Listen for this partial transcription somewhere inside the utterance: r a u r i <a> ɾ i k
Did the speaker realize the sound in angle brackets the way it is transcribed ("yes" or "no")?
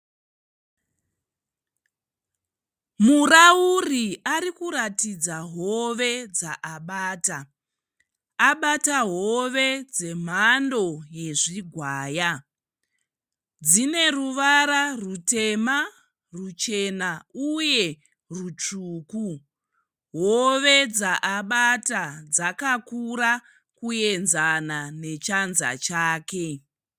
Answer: yes